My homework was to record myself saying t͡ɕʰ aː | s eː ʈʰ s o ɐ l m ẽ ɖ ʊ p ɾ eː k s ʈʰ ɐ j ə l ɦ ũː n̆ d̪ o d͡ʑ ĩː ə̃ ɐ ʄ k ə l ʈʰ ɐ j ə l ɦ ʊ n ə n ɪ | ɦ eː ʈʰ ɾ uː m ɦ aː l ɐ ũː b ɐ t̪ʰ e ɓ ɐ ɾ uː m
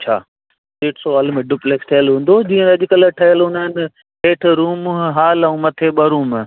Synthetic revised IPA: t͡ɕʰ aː | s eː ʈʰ s o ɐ l m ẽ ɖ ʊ p l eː k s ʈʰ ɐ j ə l ɦ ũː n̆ d̪ o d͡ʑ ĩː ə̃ ɐ ʄ k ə l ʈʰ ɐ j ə l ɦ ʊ n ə n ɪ | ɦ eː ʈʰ ɾ uː m ɦ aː l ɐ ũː m ɐ t̪ʰ e ɓ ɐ ɾ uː m